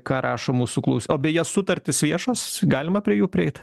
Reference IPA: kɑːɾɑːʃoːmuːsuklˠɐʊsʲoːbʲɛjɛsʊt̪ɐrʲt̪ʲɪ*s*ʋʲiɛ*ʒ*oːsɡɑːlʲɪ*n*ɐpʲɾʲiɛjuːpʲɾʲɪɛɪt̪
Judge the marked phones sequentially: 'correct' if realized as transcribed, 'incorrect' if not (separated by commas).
correct, incorrect, incorrect